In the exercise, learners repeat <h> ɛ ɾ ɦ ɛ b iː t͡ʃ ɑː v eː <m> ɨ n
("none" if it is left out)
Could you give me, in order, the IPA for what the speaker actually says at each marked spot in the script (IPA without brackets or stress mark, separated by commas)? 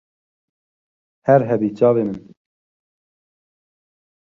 h, m